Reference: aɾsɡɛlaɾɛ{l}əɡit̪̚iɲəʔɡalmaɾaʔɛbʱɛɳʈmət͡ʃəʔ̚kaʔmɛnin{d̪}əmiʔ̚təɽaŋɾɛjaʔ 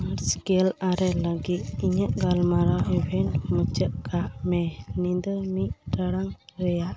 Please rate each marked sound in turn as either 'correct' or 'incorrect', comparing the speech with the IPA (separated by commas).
correct, correct